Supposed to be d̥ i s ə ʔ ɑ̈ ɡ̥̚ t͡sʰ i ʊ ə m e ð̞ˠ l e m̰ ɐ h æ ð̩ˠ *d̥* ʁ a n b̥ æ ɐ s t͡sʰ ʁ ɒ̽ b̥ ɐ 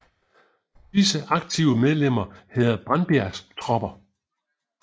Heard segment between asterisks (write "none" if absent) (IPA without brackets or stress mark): b̥